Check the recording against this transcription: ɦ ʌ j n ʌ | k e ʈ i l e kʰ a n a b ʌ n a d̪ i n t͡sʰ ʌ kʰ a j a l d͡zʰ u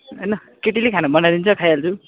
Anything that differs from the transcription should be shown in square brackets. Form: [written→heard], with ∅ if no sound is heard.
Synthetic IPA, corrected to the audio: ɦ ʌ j n ʌ | k e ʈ i l e kʰ a n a b ʌ n a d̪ i n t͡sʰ ʌ kʰ a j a l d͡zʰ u